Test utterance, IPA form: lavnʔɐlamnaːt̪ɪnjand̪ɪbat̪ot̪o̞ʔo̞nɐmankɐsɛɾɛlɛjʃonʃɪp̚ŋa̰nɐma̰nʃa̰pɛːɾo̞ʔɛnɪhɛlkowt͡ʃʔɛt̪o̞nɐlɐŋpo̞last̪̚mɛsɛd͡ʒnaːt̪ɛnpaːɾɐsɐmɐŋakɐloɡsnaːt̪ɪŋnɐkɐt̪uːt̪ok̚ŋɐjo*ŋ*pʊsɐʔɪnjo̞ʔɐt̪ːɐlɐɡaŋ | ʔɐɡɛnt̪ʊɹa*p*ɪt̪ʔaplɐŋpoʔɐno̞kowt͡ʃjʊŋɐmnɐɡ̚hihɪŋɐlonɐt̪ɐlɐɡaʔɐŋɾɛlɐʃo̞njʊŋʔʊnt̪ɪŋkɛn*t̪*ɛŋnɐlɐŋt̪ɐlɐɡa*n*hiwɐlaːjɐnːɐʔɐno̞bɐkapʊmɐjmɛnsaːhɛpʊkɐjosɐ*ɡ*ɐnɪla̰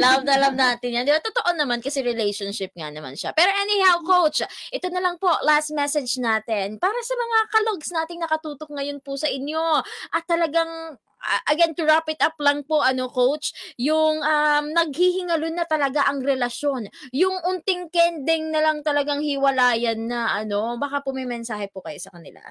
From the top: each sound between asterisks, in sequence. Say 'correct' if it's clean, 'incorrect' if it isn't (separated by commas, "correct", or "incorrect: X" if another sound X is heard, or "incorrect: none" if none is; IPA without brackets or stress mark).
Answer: incorrect: n, correct, incorrect: d̪, incorrect: ŋ, incorrect: k